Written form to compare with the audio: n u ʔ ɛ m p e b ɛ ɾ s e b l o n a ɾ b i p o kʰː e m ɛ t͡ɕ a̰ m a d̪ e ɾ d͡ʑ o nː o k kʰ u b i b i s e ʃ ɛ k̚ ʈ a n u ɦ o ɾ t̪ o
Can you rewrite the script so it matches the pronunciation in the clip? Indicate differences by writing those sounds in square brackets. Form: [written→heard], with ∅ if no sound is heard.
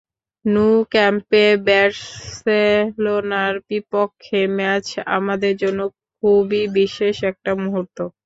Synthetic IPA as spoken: n u [ʔ→k] ɛ m p e b ɛ ɾ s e [b→∅] l o n a ɾ b i p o kʰː e m ɛ t͡ɕ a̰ m a d̪ e ɾ d͡ʑ o nː o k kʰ u b i b i [s→ʃ] e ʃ ɛ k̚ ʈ a [n→m] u ɦ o ɾ t̪ o